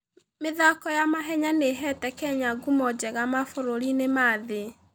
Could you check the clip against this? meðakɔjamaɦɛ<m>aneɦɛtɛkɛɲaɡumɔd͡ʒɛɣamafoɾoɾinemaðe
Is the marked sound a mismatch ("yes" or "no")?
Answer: yes